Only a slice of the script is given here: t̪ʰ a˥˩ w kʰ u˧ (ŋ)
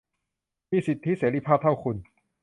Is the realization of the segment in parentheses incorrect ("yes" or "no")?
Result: yes